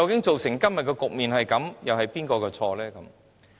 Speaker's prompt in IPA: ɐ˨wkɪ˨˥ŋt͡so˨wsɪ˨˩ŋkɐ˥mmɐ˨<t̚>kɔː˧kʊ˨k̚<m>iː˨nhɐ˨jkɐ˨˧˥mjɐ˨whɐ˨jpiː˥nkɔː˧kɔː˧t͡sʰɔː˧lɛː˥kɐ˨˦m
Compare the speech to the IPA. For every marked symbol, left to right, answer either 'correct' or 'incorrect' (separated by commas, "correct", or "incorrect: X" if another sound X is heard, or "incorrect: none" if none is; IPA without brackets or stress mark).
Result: correct, correct